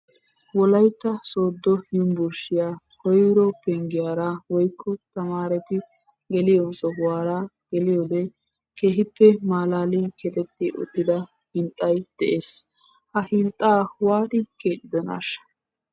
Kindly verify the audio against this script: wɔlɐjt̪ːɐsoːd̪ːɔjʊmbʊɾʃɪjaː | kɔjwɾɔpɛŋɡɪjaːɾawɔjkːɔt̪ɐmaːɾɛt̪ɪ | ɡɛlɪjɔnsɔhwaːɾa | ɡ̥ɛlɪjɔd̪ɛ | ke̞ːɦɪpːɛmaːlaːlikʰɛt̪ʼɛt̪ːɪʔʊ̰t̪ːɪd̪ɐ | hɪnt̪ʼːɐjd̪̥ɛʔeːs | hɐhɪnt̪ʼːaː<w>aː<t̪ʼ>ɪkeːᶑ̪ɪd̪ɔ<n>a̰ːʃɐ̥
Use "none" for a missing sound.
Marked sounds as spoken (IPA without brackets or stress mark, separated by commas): w, t̪, n